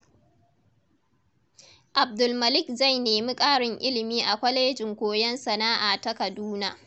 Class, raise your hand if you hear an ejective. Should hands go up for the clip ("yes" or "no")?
yes